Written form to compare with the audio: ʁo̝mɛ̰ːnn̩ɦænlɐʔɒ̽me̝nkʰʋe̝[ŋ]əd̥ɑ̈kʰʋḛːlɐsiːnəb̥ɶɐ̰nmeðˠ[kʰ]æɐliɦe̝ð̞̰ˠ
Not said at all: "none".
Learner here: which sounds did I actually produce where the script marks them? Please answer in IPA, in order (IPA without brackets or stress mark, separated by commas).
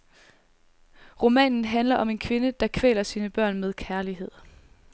n, kʰ